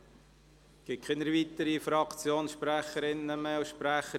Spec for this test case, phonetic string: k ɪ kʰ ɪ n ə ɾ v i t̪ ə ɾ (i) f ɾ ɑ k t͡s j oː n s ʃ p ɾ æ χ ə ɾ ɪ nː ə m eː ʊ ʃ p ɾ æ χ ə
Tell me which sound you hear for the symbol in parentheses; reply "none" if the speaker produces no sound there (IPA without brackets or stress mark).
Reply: i